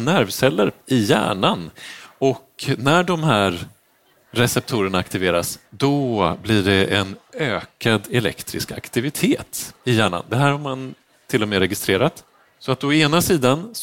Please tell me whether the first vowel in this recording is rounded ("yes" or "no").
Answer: no